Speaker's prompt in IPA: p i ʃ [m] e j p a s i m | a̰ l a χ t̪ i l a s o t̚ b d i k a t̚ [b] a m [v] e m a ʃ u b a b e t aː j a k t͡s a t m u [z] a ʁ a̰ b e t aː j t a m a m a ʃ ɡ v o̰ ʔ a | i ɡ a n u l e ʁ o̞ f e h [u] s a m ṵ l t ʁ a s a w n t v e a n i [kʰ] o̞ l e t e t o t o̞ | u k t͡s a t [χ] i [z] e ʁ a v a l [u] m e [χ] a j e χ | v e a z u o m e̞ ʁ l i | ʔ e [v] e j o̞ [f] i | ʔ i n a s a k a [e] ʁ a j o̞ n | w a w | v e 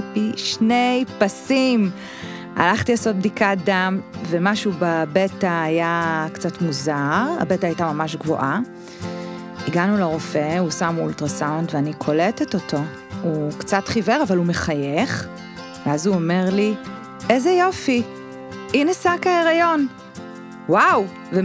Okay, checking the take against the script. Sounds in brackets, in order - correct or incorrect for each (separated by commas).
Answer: incorrect, incorrect, correct, correct, correct, correct, correct, incorrect, correct, correct, incorrect, correct, correct